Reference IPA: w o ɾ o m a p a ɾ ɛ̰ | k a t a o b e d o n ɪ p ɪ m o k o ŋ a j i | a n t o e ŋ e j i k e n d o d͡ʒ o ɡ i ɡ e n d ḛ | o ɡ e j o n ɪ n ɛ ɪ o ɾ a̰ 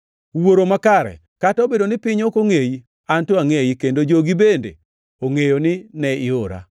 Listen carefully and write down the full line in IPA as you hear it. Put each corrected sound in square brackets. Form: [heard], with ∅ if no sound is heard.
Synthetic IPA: w o ɾ o m a [k] a ɾ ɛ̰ | k a t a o b e d o n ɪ p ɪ [ɲ] o k o ŋ [e] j i | a n t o [a] ŋ e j i k e n d o d͡ʒ o ɡ i [b] e n d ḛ | o [ŋ] e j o n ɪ n ɛ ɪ o ɾ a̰